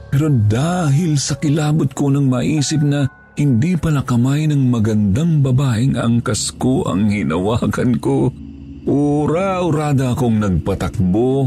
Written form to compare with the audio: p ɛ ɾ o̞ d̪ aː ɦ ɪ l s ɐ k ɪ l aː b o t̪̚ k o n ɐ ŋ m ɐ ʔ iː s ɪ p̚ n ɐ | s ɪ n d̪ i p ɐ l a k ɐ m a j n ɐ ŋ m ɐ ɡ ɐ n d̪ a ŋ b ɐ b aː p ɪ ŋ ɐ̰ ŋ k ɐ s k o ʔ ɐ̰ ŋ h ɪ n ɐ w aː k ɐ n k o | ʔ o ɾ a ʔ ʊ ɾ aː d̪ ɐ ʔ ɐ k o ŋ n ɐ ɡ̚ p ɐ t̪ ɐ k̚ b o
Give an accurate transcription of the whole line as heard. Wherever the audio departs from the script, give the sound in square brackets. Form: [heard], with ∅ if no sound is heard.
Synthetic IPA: p ɛ ɾ o̞ d̪ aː ɦ ɪ l s ɐ k ɪ l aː b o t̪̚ k o n ɐ ŋ m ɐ ʔ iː s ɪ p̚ n ɐ | [h] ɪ n d̪ i p ɐ l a k ɐ m a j n ɐ ŋ m ɐ ɡ ɐ n d̪ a ŋ b ɐ b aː [ʔ] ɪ ŋ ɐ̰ ŋ k ɐ s k o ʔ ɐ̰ ŋ h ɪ n ɐ w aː k ɐ n k o | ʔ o ɾ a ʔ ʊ ɾ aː d̪ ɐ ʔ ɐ k o ŋ n ɐ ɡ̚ p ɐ t̪ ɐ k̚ b o